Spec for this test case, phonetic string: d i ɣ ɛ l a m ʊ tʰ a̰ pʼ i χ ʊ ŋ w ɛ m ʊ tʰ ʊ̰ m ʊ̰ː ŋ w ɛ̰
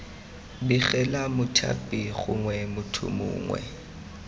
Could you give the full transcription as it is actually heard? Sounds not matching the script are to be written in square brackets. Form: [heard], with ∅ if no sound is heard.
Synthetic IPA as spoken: [b] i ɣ ɛ l a m ʊ tʰ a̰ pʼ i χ ʊ ŋ w ɛ m ʊ tʰ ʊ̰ m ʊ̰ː ŋ w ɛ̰